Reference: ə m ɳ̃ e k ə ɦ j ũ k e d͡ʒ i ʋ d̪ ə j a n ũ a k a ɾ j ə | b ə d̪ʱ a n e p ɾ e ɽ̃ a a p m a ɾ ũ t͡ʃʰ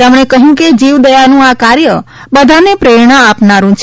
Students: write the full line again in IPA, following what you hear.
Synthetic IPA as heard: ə m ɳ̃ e k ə ɦ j ũ k e d͡ʒ i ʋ d̪ ə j a n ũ a k a ɾ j ə | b ə d̪ʱ a n e p ɾ e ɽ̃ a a p n a ɾ ũ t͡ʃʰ